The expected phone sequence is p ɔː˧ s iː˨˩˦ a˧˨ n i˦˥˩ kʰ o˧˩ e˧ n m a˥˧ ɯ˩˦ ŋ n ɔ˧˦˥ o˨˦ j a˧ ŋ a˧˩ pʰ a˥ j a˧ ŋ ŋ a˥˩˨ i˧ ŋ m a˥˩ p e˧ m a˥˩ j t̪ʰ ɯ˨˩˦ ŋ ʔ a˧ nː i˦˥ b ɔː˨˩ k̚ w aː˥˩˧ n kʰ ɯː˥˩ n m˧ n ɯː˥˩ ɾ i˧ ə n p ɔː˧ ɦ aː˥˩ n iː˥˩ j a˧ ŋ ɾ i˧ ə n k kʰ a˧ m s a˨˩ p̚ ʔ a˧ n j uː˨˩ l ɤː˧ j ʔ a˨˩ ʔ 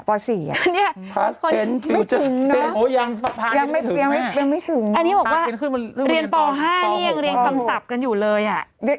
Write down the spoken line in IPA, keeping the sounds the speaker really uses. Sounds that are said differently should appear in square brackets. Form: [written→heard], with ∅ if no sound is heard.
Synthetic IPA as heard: p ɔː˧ s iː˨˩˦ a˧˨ n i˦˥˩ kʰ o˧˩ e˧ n m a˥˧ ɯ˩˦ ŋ n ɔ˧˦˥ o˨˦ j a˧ ŋ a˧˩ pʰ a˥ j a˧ ŋ [ŋ→m] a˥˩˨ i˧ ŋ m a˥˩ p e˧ m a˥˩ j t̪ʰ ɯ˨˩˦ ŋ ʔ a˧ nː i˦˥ b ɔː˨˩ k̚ w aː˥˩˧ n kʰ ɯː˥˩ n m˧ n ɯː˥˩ ɾ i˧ ə n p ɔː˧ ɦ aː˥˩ n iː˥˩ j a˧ ŋ ɾ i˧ ə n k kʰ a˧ m s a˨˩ p̚ [ʔ→k] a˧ n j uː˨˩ l ɤː˧ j ʔ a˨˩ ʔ